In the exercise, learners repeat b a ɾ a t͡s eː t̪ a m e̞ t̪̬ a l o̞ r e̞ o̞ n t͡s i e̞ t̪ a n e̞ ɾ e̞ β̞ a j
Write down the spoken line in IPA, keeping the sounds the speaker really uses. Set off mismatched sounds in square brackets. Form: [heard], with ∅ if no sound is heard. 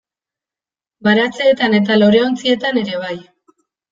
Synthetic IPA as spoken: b a ɾ a t͡s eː t̪ a [n] e̞ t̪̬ a l o̞ [ɾ] e̞ o̞ n t͡s i e̞ t̪ a n e̞ ɾ e̞ β̞ a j